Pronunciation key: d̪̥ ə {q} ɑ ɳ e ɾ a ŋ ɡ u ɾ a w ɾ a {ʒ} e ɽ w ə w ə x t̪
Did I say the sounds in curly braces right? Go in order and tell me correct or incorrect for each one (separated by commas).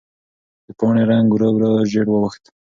incorrect, correct